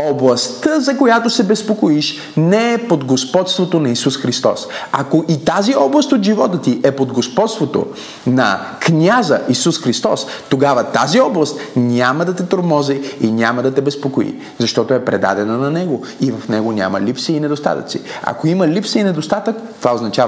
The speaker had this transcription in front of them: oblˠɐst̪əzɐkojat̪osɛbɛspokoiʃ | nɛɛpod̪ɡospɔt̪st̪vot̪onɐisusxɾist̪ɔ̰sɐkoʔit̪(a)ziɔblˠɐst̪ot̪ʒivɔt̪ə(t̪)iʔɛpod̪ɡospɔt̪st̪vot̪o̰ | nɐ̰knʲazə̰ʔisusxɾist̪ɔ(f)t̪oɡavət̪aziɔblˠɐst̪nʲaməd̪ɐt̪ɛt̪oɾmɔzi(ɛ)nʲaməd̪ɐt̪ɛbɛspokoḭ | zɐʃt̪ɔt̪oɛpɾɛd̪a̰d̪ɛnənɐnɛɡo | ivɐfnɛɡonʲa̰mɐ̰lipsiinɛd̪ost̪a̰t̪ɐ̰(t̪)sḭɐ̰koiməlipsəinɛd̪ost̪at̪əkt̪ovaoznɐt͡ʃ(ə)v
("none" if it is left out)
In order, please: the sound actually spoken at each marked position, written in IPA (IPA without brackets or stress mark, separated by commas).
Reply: a, t̪, s, i, t̪, a